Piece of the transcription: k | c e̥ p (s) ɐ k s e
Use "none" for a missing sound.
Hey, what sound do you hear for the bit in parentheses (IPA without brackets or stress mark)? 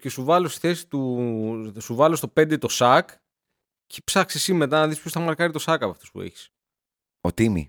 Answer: s